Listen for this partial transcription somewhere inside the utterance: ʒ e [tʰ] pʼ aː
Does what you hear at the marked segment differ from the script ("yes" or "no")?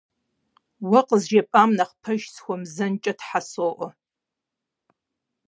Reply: yes